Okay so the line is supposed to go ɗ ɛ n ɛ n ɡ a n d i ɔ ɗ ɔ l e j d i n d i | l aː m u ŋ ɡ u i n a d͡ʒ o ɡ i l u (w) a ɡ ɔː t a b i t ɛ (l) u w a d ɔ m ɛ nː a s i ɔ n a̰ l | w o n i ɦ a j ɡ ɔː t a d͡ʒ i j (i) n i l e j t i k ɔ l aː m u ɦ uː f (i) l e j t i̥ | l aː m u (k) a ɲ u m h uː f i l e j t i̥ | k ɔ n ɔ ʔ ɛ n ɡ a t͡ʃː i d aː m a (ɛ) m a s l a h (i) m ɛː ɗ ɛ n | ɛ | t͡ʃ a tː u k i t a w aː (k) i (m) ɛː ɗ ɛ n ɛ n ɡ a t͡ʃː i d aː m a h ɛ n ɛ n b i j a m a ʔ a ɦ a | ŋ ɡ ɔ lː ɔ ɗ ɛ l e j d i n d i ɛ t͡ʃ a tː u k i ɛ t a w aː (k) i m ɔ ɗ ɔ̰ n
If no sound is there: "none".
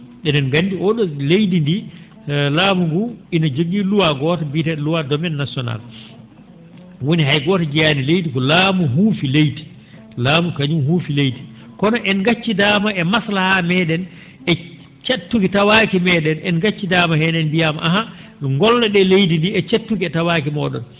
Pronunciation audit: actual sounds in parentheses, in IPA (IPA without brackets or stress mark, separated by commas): w, l, a, i, k, ɛ, a, k, m, k